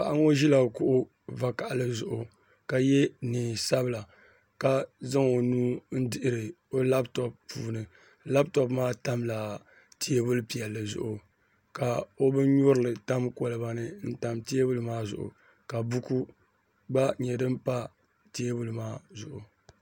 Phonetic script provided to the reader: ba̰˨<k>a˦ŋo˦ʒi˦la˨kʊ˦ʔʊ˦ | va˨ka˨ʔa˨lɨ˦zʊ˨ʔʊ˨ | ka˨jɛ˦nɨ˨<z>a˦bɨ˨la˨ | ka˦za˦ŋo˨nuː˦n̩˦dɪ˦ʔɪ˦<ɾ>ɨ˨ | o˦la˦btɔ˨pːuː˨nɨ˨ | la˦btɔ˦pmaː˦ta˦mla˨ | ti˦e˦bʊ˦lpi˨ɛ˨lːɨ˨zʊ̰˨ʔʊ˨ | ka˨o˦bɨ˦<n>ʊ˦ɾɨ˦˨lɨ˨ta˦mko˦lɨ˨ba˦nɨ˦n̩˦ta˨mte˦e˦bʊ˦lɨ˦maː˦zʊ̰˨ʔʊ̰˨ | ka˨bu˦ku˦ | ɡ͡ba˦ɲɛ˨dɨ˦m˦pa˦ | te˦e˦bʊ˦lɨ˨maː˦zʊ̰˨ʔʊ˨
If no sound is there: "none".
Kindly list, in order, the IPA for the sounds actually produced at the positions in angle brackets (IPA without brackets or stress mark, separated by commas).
ʔ, s, ɾ, ɲ